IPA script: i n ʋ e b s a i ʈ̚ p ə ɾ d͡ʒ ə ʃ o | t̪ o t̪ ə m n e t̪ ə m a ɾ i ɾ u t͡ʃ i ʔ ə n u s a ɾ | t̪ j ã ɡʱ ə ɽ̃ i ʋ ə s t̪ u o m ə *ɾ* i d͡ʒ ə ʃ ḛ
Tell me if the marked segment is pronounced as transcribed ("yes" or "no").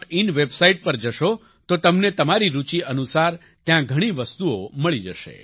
no